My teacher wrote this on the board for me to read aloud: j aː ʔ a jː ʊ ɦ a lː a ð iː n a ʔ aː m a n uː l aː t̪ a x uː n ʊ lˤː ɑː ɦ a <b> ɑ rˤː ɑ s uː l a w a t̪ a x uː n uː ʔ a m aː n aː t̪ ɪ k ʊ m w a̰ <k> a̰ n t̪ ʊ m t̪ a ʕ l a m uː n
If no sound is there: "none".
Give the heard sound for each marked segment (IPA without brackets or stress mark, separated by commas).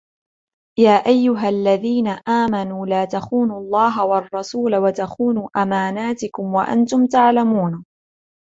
w, ʔ